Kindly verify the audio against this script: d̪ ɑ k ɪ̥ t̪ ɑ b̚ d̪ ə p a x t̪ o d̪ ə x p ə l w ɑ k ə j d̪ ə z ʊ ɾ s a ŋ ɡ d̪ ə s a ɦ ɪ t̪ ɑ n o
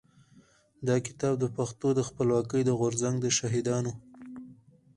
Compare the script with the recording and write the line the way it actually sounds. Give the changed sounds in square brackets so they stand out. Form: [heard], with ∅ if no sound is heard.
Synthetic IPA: d̪ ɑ k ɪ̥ t̪ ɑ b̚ d̪ ə p a x t̪ o d̪ ə x p ə l w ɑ k ə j d̪ ə [ɣ] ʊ ɾ [z] a ŋ ɡ d̪ ə [ʃ] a ɦ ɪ [d̪] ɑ n o